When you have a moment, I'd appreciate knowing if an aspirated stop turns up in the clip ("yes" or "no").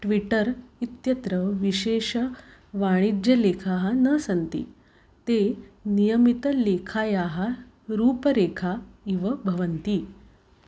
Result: yes